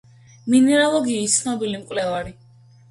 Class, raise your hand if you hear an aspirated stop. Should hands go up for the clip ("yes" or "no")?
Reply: no